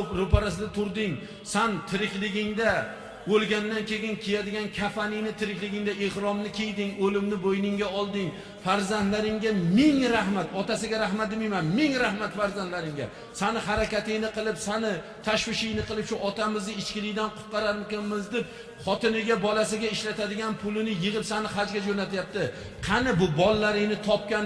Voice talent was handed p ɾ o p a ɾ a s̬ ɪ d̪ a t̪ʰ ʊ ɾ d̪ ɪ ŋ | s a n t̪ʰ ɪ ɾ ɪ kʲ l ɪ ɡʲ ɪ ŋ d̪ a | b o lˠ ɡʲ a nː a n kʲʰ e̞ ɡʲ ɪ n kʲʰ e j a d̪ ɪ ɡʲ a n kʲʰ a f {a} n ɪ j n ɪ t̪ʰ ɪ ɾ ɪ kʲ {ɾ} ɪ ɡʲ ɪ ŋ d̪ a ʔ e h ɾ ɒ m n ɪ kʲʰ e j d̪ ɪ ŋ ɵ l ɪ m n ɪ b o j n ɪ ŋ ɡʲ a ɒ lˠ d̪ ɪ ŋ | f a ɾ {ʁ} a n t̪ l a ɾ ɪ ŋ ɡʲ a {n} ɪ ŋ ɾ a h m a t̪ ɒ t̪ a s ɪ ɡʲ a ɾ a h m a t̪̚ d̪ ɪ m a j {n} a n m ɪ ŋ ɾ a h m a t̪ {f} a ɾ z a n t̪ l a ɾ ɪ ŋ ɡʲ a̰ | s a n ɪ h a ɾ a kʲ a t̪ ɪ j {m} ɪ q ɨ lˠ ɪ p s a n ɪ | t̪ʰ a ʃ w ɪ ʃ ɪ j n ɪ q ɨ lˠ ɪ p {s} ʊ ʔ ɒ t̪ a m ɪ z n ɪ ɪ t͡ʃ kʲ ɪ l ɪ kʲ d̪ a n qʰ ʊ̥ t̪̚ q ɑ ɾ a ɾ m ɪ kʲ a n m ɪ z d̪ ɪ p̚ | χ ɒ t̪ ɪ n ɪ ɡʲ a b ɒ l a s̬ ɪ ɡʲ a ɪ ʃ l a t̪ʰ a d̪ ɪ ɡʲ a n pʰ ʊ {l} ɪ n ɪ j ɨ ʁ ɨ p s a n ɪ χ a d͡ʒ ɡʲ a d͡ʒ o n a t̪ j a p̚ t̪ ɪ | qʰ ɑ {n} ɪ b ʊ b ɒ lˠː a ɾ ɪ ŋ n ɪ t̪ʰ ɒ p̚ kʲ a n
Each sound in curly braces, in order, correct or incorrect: correct, incorrect, incorrect, incorrect, incorrect, correct, incorrect, incorrect, correct, correct

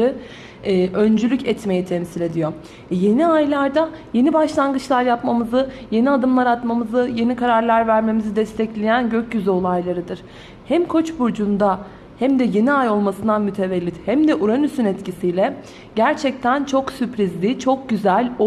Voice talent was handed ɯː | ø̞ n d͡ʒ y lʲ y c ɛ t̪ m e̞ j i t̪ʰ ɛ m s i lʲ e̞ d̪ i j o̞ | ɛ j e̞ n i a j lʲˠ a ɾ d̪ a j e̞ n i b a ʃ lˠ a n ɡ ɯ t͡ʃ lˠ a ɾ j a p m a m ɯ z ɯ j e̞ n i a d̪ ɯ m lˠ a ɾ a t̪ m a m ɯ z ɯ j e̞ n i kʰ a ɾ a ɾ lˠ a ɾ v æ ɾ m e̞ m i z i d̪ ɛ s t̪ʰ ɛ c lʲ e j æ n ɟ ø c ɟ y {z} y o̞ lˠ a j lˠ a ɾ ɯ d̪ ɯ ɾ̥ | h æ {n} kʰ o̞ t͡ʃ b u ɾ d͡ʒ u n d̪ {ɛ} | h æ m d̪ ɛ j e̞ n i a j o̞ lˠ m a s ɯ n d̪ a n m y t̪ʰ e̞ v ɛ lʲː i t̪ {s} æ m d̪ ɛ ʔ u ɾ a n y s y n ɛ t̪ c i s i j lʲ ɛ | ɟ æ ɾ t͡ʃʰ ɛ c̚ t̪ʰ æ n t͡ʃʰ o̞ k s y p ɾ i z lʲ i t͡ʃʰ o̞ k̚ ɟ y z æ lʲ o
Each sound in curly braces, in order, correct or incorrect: correct, incorrect, incorrect, incorrect

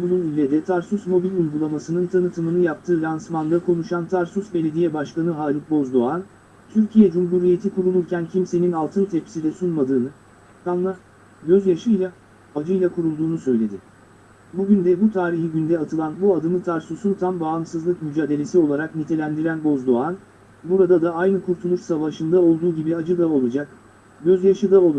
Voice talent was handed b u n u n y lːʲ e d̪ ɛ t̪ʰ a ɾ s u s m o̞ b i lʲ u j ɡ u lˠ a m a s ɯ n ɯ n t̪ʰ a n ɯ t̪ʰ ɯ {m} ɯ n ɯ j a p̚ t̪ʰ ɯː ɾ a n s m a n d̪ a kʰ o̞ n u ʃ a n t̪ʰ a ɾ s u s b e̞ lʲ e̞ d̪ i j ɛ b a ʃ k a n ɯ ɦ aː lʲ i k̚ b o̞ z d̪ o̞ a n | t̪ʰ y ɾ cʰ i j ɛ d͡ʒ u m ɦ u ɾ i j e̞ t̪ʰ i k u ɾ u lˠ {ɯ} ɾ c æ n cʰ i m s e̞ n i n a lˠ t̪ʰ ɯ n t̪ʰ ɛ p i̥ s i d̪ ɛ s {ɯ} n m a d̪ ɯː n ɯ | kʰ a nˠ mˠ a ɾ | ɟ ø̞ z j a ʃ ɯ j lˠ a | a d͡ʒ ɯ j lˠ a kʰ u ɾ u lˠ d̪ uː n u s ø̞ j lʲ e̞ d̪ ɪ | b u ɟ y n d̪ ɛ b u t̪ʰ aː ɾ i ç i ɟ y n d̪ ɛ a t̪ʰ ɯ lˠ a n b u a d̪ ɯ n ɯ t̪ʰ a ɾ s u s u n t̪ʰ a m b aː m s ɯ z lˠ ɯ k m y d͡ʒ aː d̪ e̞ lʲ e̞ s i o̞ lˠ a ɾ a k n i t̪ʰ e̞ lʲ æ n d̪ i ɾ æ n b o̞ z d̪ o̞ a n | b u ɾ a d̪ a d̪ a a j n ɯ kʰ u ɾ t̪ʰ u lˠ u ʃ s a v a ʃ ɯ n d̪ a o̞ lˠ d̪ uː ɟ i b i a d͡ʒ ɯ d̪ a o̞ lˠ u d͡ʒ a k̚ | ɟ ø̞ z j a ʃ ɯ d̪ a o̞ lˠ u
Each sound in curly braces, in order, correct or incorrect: correct, incorrect, incorrect

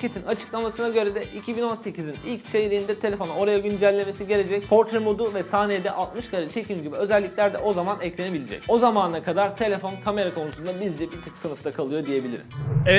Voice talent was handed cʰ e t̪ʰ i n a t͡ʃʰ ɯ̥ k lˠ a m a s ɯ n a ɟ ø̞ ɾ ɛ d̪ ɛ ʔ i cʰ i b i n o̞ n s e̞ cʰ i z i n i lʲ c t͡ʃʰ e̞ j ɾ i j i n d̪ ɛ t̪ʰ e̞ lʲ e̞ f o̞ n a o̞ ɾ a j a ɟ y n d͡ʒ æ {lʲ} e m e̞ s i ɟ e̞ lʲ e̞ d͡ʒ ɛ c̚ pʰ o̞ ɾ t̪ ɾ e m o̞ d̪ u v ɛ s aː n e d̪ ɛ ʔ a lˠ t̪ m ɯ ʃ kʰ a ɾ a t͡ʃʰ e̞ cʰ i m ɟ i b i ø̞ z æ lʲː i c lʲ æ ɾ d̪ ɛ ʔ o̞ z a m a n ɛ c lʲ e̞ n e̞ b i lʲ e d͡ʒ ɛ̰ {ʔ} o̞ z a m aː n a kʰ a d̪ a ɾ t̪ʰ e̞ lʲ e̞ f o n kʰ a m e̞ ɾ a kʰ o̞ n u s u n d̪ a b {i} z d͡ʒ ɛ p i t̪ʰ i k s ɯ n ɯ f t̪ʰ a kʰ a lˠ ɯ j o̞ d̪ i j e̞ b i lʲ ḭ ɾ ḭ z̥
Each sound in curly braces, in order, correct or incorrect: incorrect, incorrect, correct

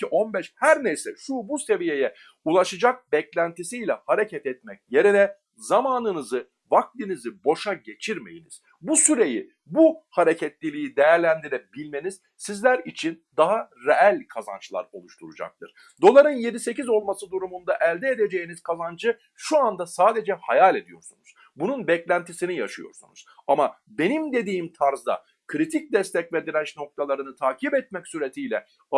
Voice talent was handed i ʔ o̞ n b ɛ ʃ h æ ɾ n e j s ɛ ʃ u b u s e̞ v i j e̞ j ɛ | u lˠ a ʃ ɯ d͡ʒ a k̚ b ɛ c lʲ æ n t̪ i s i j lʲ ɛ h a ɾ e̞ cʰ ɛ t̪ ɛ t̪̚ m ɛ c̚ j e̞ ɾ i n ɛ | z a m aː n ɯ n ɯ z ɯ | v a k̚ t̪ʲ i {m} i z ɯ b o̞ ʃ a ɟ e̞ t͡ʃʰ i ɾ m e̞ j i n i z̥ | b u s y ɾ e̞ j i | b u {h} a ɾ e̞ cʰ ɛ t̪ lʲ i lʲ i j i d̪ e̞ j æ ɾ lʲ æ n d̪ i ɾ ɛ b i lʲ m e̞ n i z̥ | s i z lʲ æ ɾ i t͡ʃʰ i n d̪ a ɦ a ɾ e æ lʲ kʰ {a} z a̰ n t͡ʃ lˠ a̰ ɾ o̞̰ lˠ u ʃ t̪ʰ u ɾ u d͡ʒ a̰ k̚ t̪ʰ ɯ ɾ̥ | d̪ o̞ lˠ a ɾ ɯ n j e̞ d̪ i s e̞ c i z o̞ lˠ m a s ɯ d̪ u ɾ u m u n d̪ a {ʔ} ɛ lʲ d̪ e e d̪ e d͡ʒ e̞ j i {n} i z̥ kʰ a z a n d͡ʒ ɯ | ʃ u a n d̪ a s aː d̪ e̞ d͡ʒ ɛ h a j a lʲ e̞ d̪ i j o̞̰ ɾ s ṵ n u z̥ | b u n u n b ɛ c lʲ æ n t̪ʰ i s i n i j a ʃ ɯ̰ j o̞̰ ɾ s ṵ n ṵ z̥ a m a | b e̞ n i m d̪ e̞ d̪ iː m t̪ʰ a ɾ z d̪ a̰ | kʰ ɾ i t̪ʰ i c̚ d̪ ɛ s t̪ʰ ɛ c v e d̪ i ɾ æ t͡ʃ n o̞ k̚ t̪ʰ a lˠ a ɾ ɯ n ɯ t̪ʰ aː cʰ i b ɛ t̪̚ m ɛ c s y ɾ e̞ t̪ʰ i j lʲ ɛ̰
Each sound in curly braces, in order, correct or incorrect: incorrect, correct, correct, correct, correct

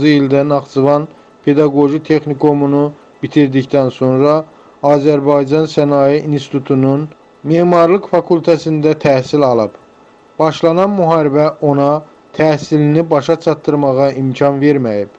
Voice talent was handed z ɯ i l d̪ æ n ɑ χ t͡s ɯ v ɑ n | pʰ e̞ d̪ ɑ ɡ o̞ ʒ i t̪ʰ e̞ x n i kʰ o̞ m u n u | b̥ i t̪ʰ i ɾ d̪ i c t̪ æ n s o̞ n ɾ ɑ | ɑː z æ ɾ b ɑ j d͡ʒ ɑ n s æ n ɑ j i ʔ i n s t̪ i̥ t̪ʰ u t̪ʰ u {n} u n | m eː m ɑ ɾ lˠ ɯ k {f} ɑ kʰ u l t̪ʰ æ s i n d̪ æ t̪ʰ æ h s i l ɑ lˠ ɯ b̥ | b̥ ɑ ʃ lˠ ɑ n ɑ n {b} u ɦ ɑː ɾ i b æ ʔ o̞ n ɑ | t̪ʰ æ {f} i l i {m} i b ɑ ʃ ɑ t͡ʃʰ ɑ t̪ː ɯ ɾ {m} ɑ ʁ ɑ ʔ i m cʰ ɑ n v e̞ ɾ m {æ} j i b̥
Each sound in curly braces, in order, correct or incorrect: correct, correct, incorrect, incorrect, incorrect, correct, correct

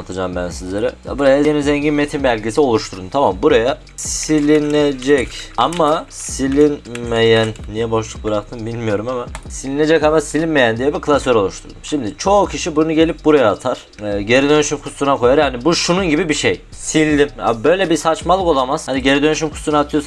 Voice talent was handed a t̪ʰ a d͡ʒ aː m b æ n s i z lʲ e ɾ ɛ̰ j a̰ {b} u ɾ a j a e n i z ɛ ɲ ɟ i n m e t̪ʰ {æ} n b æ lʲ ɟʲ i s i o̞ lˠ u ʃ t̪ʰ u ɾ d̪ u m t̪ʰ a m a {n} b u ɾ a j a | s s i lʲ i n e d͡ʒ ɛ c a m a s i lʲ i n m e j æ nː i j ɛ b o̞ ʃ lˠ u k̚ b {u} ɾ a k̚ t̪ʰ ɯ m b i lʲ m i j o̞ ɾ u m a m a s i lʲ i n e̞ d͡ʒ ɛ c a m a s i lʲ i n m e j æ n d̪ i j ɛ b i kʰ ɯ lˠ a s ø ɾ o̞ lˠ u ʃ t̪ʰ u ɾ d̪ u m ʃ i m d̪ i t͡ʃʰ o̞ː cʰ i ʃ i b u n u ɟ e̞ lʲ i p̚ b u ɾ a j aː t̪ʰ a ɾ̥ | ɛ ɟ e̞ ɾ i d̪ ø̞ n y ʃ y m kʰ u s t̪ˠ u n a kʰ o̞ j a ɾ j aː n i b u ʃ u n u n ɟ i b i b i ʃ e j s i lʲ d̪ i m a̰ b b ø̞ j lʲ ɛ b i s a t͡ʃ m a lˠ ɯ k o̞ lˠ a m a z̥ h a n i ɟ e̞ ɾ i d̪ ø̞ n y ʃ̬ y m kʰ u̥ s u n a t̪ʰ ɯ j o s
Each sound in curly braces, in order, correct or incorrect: correct, incorrect, incorrect, incorrect

